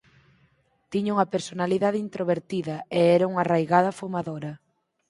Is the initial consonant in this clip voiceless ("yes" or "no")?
yes